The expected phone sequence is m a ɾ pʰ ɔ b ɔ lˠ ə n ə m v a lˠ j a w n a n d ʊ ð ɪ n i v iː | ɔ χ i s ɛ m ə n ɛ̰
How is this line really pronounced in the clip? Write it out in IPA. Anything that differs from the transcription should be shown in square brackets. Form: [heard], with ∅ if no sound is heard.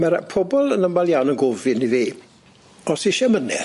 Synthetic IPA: m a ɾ pʰ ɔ b ɔ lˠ ə n ə m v a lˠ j a w n [ə] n [ɡ] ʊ [v] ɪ n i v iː | ɔ [s] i [ʃ] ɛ m ə n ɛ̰